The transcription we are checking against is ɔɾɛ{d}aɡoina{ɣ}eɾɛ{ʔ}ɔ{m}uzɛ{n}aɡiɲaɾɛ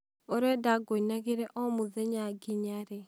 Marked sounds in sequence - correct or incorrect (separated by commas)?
correct, correct, correct, correct, incorrect